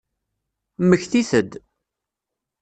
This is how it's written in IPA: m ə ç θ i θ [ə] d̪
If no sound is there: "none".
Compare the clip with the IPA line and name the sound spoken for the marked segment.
ə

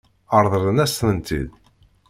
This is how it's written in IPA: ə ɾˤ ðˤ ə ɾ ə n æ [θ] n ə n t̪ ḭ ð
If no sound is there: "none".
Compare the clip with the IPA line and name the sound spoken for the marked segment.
s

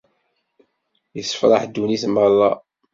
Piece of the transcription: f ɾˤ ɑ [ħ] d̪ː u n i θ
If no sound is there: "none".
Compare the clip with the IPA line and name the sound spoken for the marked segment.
ħ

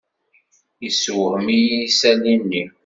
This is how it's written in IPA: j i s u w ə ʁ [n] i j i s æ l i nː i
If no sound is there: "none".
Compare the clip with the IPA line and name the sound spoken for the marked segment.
m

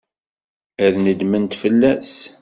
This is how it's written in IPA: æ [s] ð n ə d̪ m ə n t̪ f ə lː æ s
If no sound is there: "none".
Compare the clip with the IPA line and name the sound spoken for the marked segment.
none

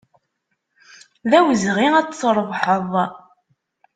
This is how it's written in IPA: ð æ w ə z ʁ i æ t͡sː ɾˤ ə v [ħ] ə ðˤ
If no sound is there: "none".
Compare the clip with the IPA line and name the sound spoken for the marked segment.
ħ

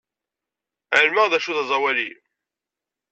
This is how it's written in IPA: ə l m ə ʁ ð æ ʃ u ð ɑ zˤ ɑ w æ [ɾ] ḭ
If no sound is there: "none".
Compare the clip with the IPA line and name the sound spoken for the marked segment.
l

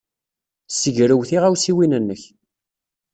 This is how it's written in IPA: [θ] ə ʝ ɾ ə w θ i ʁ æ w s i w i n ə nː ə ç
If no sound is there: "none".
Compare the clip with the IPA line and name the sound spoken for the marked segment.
s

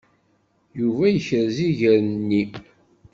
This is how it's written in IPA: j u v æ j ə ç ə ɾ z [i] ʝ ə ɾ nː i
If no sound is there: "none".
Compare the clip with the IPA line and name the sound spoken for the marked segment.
i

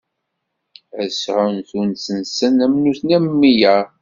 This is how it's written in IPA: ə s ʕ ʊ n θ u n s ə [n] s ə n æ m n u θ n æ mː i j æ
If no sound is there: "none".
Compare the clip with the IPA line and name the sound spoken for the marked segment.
n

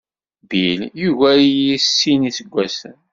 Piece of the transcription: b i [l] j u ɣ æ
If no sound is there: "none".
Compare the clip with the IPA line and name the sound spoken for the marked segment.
l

